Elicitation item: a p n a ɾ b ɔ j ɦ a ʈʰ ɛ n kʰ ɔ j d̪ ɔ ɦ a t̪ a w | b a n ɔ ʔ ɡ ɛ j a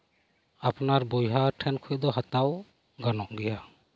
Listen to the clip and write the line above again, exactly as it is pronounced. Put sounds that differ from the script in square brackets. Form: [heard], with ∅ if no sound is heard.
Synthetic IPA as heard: a p n a ɾ b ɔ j ɦ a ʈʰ ɛ n kʰ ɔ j d̪ ɔ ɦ a t̪ a w | [ɡ] a n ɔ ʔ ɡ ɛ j a